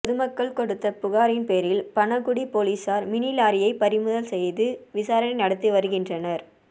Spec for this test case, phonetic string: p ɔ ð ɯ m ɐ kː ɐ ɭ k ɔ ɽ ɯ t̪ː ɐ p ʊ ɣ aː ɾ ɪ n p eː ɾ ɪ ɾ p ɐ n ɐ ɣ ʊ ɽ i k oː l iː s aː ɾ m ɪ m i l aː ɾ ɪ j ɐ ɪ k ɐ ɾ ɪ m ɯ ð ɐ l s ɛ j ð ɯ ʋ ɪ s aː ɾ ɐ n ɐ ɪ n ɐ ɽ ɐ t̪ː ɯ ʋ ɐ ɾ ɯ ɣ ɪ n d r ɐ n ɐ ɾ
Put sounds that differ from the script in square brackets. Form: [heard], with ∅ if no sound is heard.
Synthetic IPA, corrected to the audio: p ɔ ð ɯ m ɐ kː ɐ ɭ k ɔ ɽ ɯ t̪ː ɐ p ʊ ɣ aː ɾ ɪ n p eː ɾ ɪ [l] p ɐ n ɐ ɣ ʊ ɽ i [p] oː l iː s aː ɾ m ɪ [n] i l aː ɾ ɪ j ɐ ɪ [p] ɐ ɾ ɪ m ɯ ð ɐ l s ɛ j ð ɯ ʋ ɪ s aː ɾ ɐ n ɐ ɪ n ɐ ɽ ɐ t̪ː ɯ ʋ ɐ ɾ ɯ ɣ ɪ n d r ɐ n ɐ ɾ